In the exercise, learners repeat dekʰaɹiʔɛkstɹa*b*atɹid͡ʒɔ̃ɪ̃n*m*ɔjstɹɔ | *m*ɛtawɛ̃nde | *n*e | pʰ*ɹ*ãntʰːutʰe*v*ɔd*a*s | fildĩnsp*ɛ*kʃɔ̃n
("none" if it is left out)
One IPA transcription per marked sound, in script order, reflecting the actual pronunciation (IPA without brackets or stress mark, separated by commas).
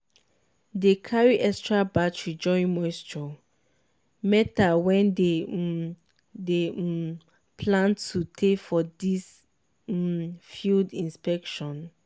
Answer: b, m, m, d, l, f, i, ɛ